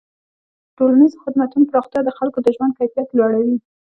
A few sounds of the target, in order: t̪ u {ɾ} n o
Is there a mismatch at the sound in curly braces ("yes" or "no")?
yes